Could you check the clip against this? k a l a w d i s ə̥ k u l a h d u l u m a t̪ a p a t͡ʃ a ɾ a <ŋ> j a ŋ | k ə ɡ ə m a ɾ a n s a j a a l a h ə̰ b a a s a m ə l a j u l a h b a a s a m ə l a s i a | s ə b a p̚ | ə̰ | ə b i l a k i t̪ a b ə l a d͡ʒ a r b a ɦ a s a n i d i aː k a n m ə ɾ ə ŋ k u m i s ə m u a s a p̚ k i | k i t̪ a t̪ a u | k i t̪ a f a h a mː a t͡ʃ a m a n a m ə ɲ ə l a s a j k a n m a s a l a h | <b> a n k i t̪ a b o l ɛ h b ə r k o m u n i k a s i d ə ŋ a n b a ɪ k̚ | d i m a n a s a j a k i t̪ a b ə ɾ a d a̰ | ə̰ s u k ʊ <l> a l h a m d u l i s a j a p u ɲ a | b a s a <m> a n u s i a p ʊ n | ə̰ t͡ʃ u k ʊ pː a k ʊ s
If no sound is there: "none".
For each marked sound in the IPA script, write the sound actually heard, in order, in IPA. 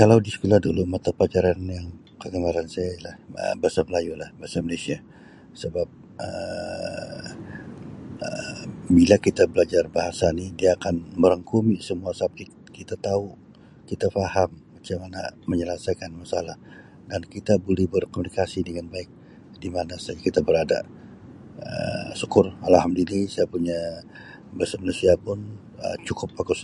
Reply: n, d, r, m

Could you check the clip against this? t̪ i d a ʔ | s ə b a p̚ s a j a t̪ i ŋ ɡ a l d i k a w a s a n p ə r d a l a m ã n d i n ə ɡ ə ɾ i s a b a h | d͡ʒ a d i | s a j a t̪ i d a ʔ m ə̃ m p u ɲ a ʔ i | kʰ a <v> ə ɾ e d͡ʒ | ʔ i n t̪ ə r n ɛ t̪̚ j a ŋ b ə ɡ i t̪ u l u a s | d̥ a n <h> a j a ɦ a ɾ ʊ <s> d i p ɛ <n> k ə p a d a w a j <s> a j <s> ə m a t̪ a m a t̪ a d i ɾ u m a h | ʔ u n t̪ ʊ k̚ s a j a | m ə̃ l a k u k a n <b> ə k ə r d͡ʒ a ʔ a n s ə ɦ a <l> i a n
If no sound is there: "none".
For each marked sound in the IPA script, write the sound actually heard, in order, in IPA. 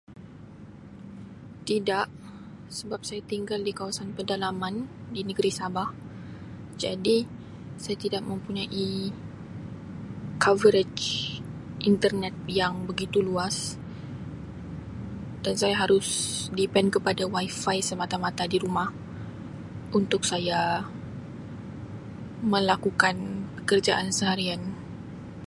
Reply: v, s, s, n, f, s, p, ɾ

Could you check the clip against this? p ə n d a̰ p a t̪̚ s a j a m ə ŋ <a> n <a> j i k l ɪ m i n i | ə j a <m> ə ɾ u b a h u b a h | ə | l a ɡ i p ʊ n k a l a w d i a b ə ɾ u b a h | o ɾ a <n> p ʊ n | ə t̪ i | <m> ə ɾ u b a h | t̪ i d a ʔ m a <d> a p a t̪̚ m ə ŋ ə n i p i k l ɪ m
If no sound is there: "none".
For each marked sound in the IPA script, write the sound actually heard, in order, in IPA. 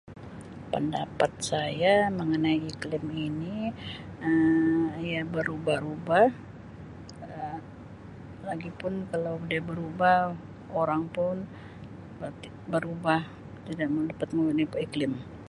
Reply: ə, a, b, ŋ, b, d

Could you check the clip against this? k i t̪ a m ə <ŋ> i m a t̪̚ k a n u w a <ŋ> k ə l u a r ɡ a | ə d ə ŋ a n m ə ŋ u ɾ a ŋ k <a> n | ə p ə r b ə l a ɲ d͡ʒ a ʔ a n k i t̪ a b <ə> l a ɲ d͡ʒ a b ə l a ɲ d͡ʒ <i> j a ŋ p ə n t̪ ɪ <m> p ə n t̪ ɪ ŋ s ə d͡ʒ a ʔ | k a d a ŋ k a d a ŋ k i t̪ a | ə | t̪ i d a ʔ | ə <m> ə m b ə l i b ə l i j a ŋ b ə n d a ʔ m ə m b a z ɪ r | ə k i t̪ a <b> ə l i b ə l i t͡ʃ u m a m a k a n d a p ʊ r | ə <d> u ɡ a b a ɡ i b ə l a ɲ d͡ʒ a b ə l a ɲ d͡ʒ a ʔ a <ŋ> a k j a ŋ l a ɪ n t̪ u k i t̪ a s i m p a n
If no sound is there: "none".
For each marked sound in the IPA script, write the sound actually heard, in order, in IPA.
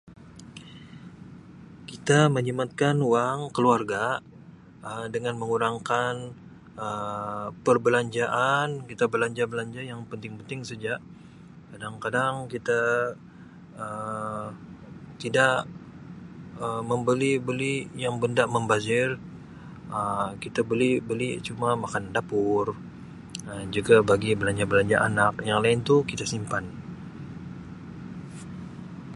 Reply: ɲ, ŋ, a, ə, a, ŋ, m, b, d͡ʒ, n

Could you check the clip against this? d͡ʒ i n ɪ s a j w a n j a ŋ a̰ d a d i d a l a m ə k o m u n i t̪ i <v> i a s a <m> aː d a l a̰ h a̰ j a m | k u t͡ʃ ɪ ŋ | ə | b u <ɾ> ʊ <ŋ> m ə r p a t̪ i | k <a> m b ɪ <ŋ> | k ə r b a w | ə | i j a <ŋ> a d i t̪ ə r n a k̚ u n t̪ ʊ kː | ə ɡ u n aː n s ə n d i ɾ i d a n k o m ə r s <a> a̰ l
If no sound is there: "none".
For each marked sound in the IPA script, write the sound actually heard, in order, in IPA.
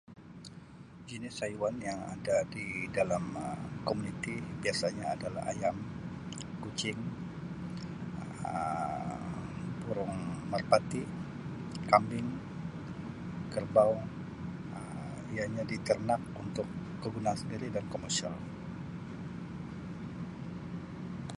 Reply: b, ɲ, ɾ, ŋ, a, ŋ, ɲ, i

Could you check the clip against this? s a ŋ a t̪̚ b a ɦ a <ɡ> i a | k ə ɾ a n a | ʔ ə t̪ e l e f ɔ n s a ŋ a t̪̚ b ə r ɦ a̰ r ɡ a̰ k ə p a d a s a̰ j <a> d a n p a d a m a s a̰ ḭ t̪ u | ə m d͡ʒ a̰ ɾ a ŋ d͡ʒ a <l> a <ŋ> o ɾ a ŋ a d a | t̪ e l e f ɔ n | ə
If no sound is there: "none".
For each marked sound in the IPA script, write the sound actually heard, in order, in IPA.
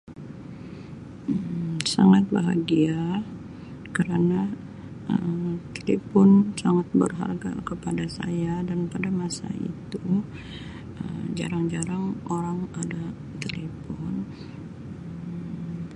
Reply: ɡ, a, ɾ, ŋ

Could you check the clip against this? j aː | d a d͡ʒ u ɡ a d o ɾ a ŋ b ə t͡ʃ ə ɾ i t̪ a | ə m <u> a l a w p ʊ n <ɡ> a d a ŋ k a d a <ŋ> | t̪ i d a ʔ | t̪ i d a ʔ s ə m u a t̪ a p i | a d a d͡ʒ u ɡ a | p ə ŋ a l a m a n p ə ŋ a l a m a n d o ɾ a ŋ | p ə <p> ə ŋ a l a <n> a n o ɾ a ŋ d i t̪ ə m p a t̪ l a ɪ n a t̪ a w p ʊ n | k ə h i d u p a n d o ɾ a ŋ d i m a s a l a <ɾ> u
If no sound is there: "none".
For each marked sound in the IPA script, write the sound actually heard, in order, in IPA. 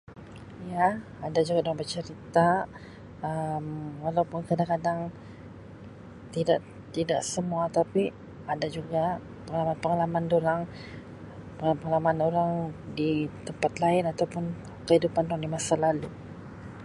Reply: w, k, ŋ, p, m, l

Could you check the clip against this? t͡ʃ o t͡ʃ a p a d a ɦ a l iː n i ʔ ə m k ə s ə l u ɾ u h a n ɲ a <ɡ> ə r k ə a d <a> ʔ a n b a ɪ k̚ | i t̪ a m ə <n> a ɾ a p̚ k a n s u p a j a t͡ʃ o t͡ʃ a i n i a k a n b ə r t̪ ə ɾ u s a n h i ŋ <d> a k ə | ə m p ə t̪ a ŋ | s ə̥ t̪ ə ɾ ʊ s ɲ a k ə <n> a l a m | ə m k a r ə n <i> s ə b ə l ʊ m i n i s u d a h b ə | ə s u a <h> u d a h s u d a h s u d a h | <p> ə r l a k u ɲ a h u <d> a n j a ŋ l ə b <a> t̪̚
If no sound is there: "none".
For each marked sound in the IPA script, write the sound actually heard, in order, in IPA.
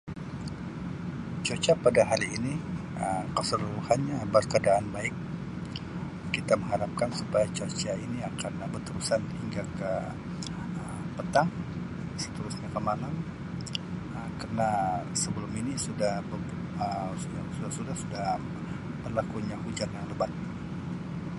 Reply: b, a, ŋ, ɡ, m, a, s, b, d͡ʒ, a

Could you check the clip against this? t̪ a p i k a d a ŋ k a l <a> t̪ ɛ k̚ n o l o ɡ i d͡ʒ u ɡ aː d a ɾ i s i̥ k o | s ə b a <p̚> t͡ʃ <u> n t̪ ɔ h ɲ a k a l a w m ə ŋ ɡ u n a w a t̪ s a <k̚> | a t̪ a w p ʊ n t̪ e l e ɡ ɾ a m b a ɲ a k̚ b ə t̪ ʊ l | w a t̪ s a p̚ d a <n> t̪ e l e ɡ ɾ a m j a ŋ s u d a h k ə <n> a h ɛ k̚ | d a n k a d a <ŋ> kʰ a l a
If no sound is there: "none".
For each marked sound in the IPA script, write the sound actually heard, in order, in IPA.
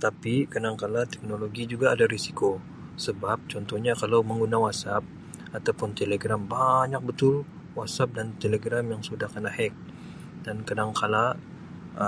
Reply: a, p̚, ɔ, p̚, n, n, ŋ

